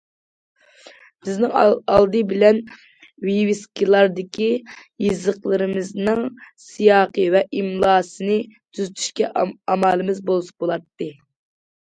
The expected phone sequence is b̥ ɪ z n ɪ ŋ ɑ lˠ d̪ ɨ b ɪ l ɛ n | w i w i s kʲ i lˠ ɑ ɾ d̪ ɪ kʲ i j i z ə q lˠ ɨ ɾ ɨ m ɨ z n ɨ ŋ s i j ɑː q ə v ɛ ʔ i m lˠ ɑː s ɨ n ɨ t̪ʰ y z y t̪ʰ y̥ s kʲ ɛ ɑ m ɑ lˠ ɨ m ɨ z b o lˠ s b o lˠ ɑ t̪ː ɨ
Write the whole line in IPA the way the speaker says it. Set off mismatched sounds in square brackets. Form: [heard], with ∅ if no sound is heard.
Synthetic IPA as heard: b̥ ɪ z n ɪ ŋ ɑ lˠ d̪ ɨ b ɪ l ɛ n | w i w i s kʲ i lˠ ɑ ɾ d̪ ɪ kʲ i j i z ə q lˠ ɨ ɾ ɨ m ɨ z n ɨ ŋ s i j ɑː q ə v ɛ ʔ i m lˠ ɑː s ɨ n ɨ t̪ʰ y z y t̪ʰ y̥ [ʃ] kʲ ɛ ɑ m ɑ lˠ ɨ m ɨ z b o lˠ s b o lˠ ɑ t̪ː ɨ